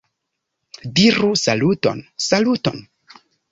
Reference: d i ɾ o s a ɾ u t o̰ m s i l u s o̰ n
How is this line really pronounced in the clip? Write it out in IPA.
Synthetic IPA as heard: d i ɾ u s a l u t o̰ n s a l u t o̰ n